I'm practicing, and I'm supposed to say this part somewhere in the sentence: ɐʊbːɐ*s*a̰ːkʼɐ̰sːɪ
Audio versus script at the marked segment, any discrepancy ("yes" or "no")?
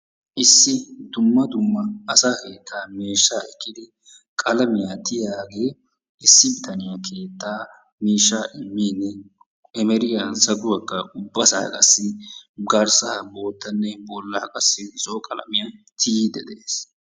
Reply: no